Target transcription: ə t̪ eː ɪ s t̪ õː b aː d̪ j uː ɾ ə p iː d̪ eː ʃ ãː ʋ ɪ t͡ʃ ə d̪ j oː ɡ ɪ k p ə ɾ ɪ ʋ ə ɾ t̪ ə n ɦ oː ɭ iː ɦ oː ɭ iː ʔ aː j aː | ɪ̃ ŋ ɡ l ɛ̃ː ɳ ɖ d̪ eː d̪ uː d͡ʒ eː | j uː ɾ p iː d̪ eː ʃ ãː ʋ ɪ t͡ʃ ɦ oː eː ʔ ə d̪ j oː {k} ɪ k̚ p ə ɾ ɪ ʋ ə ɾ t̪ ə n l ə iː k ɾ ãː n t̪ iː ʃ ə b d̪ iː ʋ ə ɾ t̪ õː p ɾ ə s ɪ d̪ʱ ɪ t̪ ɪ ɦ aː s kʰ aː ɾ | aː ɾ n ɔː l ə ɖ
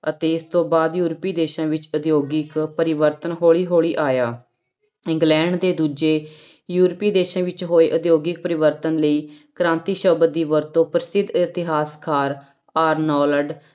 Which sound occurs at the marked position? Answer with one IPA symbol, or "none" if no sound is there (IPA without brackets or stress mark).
ɡ